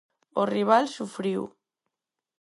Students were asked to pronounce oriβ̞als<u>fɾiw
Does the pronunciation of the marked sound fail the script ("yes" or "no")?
no